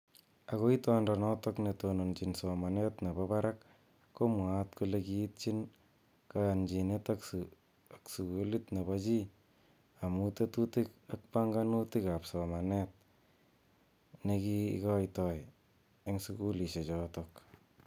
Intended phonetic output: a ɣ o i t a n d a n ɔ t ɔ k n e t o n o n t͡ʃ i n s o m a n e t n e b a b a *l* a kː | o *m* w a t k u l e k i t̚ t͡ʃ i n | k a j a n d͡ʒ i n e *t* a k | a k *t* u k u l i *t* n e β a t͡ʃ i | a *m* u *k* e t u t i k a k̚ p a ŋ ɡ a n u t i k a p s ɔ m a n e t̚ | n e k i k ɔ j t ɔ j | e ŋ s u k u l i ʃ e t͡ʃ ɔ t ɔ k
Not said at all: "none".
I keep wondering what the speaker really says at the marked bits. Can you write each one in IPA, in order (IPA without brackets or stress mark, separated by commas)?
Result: ɾ, m, t, s, t, m, t